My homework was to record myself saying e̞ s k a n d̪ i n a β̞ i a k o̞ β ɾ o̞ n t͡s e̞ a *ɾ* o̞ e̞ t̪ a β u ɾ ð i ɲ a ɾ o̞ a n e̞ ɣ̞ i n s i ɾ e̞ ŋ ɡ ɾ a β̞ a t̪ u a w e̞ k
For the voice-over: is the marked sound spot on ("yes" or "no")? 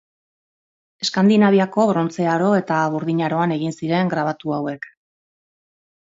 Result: yes